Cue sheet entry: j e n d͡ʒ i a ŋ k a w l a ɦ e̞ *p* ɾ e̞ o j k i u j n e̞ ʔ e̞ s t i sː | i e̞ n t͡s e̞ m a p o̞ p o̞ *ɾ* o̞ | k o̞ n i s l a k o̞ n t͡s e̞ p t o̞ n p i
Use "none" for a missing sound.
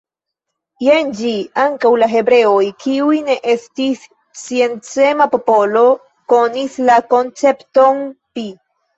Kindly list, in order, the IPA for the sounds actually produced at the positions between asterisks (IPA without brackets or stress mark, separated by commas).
b, l